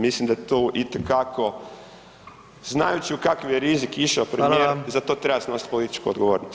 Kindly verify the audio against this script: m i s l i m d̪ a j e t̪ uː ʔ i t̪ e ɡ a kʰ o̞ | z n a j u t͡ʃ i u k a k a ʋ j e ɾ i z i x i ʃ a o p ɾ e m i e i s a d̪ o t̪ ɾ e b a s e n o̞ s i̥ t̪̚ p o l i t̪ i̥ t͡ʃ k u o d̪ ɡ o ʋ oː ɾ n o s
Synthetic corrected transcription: m i s l i m d̪ a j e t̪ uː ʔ i t̪ e k a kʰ o̞ | z n a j u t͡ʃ i u k a k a ʋ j e ɾ i z i k i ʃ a o p ɾ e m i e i z a t̪ o t̪ ɾ e b a s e n o̞ s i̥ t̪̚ p o l i t̪ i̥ t͡ʃ k u o d̪ ɡ o ʋ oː ɾ n o s